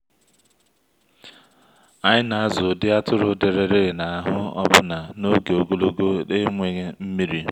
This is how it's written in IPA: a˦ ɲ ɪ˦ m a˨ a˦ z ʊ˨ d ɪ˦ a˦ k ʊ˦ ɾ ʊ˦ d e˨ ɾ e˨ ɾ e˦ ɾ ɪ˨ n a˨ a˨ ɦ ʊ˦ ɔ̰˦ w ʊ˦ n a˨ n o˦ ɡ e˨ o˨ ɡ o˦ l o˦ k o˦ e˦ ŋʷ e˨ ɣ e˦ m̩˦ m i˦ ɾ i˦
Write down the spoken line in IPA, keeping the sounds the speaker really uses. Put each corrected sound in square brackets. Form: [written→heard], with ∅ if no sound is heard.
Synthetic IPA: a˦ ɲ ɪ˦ [m→n] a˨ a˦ z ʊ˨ d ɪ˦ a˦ [k→t] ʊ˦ ɾ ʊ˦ d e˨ ɾ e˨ ɾ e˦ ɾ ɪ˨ n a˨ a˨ ɦ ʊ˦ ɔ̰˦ [w→b] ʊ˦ n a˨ n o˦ ɡ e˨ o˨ ɡ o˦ l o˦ [k→ɡ] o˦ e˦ ŋʷ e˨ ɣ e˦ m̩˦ m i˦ ɾ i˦